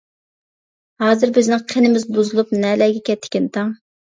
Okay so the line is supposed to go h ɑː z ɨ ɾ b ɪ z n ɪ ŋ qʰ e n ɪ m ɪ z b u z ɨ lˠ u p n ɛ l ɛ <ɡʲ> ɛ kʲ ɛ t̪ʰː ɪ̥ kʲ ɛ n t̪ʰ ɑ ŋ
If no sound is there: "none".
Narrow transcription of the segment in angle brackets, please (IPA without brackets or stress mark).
ɡʲ